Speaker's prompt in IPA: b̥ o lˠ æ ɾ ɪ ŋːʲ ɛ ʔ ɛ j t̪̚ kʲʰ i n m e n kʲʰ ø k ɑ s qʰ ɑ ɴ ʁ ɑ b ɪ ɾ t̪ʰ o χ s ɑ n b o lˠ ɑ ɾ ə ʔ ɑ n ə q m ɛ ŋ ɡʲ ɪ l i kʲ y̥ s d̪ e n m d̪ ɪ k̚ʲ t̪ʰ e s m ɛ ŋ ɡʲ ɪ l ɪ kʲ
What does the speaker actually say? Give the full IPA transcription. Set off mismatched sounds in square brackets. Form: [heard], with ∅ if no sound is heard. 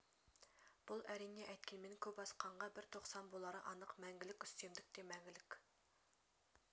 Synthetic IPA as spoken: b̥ [u] lˠ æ ɾ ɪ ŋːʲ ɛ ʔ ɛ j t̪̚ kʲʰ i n m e n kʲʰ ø [p] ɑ s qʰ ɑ ɴ ʁ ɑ b ɪ ɾ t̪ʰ o χ s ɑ n b o lˠ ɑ ɾ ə ʔ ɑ n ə q m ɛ ŋ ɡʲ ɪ l [ɪ] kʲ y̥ s [t̪] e [∅] m d̪ ɪ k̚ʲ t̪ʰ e [∅] m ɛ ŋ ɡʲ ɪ l ɪ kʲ

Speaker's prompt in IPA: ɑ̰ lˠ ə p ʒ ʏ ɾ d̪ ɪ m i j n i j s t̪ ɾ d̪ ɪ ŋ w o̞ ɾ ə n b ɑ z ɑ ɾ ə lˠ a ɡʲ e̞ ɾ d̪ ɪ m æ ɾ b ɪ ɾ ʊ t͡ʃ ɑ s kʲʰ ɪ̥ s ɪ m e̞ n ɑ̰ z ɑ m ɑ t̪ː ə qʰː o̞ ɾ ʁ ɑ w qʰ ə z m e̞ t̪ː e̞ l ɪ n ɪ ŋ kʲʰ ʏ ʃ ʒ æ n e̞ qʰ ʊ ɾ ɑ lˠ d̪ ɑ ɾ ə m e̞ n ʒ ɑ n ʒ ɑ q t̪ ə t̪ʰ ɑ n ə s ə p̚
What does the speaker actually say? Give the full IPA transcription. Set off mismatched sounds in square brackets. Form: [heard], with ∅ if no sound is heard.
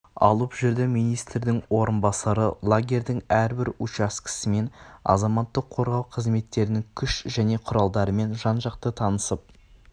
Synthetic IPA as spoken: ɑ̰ lˠ ə p ʒ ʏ ɾ d̪ ɪ m i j n i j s t̪ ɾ d̪ ɪ ŋ w o̞ ɾ ə n b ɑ [s] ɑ ɾ ə lˠ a ɡʲ e̞ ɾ d̪ ɪ [ŋ] æ ɾ b ɪ ɾ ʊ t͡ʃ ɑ s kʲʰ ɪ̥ s ɪ m e̞ n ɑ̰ z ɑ m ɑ t̪ː ə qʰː o̞ ɾ ʁ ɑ w qʰ ə z m e̞ t̪ː e̞ [ɾ] ɪ n ɪ ŋ kʲʰ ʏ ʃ ʒ æ n e̞ qʰ ʊ ɾ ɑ lˠ d̪ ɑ ɾ ə m e̞ n ʒ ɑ n ʒ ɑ q t̪ ə t̪ʰ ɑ n ə s ə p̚

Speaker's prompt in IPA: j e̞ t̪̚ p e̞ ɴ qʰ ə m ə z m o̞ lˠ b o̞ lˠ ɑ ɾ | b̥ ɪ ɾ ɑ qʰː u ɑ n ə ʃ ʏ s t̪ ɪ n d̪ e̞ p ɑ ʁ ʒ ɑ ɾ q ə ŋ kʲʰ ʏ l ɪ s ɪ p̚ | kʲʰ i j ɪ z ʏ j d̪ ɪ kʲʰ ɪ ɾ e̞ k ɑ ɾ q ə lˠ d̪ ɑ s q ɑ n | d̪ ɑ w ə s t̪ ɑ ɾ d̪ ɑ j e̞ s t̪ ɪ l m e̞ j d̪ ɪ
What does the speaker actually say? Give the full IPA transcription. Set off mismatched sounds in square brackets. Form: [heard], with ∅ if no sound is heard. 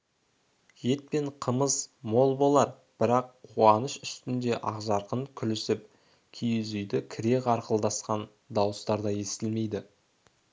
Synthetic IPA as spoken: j e̞ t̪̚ p e̞ ɴ qʰ ə m ə z m o̞ lˠ b o̞ lˠ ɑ ɾ | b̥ ɪ ɾ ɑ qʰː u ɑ n ə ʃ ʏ s t̪ ɪ n d̪ e̞ [ʔ] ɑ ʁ ʒ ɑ ɾ q ə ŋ kʲʰ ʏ l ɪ s ɪ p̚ | kʲʰ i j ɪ z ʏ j d̪ ɪ kʲʰ ɪ ɾ e̞ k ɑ ɾ q ə lˠ d̪ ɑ s q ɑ n | d̪ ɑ w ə s t̪ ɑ ɾ d̪ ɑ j e̞ s t̪ ɪ l m e̞ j d̪ ɪ

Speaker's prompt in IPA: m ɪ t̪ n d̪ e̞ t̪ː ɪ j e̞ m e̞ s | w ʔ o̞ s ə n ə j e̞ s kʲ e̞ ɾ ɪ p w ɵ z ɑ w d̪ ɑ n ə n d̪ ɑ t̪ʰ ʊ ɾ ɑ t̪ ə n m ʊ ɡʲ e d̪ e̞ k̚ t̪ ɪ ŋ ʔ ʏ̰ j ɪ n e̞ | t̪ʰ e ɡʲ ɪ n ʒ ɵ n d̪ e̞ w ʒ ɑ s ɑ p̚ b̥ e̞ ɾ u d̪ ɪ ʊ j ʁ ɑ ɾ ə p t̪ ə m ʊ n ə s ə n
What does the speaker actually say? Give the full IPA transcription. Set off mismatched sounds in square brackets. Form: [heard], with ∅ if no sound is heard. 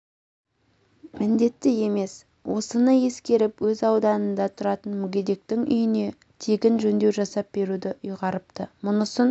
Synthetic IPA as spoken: m ɪ [∅] n d̪ e̞ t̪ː ɪ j e̞ m e̞ s | w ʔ o̞ s ə n ə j e̞ s kʲ e̞ ɾ ɪ p w ɵ z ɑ w d̪ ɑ n ə n d̪ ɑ t̪ʰ ʊ ɾ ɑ t̪ ə n m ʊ ɡʲ e d̪ e̞ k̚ t̪ ɪ ŋ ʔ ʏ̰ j ɪ n e̞ | t̪ʰ e ɡʲ ɪ n ʒ ɵ n d̪ e̞ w ʒ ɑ s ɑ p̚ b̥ e̞ ɾ u d̪ ɪ ʊ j ʁ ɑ ɾ ə p t̪ ə m ʊ n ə s ə n

